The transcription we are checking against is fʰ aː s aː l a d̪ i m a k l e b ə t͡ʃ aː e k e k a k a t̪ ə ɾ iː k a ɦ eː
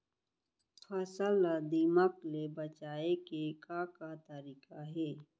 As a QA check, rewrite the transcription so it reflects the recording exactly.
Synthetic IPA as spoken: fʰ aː s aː l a d̪ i m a k l e b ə t͡ʃ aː e k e k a k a t̪ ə ɾ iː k a ɦ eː